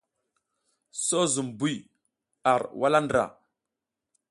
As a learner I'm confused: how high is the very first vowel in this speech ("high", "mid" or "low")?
mid